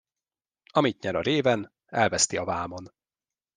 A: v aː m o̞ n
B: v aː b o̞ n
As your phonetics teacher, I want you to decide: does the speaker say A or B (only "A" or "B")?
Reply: A